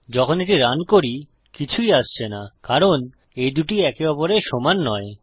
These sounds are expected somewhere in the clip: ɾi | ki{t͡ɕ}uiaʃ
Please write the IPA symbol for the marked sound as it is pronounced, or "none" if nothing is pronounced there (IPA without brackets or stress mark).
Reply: t͡ɕʰ